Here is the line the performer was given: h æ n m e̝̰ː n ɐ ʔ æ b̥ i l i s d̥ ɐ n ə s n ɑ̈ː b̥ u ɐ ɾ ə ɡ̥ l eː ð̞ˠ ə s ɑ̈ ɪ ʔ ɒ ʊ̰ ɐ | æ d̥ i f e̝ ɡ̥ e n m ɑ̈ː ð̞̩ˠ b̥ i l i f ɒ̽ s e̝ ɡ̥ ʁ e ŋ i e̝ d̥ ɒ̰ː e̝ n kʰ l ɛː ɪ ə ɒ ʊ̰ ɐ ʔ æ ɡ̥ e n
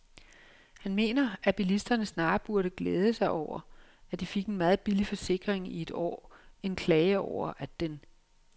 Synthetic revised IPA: h æ n m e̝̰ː n ɐ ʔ æ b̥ i l i s d̥ ɐ n ə s n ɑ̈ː b̥ u ɐ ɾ ə ɡ̥ l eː ð̞ˠ ə s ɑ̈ ɪ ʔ ɒ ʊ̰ ɐ | æ d̥ i f e̝ ɡ̥ e n m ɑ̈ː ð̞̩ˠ b̥ i l i f ɒ̽ s e̝ ɡ̥ ʁ e ŋ i e̝ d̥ ɒ̰ː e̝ n kʰ l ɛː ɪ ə ɒ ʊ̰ ɐ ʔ æ d̥ e n